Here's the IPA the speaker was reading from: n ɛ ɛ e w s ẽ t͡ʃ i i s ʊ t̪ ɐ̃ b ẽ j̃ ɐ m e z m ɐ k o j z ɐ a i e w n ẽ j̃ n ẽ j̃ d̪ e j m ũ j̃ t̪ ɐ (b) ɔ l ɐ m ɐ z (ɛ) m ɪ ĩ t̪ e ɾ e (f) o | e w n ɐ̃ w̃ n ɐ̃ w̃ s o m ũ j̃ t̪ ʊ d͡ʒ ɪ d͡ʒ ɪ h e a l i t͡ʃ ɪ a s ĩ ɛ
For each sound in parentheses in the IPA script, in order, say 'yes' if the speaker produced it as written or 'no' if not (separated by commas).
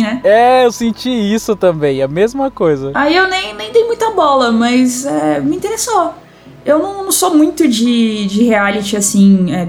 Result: yes, yes, no